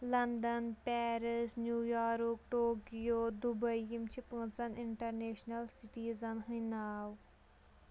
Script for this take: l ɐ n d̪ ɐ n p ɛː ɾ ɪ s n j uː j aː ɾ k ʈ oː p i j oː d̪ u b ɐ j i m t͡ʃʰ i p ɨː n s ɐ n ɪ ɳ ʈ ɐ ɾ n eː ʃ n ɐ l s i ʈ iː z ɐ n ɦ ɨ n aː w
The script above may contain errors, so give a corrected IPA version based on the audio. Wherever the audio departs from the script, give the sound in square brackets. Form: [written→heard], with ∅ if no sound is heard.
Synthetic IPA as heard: l ɐ n d̪ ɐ n p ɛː ɾ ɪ s n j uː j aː ɾ k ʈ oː [p→k] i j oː d̪ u b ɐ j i m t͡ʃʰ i p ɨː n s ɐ n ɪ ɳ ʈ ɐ ɾ n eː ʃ n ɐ l s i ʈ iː z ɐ n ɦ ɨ n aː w